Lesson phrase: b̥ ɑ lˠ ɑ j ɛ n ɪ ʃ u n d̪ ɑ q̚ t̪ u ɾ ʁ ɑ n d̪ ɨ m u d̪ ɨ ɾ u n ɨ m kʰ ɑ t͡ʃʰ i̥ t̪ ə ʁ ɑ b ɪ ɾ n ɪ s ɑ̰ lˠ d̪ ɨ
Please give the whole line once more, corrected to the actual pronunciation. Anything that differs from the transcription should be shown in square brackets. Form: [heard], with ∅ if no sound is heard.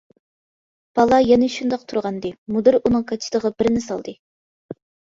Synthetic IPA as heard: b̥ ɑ lˠ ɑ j ɛ n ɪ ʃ u n d̪ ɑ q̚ [t̪ʰ] u ɾ ʁ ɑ n d̪ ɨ m u d̪ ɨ ɾ u n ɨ [ŋ] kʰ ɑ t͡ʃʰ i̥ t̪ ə ʁ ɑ b ɪ ɾ n ɪ s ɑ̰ lˠ d̪ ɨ